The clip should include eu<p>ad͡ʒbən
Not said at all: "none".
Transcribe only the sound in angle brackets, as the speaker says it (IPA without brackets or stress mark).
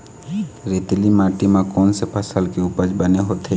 p